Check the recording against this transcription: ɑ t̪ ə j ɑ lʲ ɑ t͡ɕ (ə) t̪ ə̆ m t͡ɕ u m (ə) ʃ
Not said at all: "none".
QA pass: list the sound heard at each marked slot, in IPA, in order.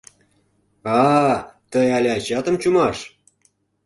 ɑ, ɑ

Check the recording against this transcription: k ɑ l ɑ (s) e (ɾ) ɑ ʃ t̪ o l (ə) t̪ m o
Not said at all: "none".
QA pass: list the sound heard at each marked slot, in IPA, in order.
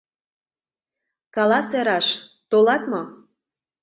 s, ɾ, ɑ

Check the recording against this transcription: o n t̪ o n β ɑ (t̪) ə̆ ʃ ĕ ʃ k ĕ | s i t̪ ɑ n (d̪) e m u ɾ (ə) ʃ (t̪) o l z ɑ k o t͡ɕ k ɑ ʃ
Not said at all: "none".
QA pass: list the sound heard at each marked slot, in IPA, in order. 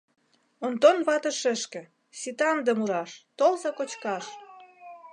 t̪, d̪, ɑ, t̪

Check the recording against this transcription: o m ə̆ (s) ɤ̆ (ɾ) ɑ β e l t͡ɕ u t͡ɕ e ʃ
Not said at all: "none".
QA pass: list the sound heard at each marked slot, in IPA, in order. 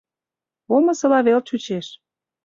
s, l

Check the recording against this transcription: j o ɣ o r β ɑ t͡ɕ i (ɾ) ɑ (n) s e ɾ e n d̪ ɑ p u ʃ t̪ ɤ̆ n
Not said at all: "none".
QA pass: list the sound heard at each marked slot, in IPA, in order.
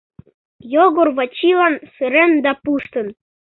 l, n

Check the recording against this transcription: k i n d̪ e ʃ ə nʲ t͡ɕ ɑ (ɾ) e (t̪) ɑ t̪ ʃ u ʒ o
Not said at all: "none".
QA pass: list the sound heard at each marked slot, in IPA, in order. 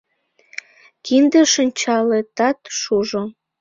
l, t̪

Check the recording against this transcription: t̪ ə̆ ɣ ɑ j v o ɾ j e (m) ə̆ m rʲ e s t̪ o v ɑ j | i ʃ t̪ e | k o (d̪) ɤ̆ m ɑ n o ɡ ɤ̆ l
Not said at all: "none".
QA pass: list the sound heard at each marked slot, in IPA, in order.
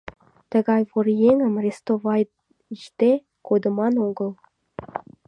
ŋ, d̪

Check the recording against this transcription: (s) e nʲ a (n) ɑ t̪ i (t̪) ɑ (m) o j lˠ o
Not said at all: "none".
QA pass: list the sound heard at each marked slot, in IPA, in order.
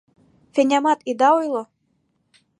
f, m, d̪, none

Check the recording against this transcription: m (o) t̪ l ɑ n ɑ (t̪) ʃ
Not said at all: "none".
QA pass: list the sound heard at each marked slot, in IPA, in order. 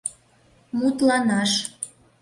u, none

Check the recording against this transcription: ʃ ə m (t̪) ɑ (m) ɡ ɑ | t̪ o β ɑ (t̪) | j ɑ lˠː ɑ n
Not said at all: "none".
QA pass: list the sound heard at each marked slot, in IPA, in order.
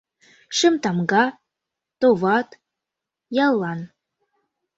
t̪, m, t̪

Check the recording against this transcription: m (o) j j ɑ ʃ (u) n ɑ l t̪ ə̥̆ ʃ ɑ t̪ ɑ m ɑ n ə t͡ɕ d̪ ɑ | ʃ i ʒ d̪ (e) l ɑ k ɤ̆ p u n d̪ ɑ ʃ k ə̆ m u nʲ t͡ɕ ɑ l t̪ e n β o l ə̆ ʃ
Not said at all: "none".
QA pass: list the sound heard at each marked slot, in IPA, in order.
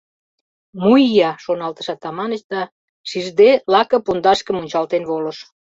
u, o, e

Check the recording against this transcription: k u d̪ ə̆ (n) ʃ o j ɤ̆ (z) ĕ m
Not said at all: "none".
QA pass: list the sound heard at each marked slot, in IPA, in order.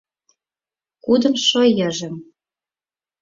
m, ʒ

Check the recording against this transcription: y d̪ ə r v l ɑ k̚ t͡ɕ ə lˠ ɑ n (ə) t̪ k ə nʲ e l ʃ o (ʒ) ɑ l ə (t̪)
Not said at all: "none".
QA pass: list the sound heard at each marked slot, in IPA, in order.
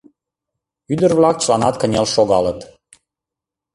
ɑ, ɣ, t̪

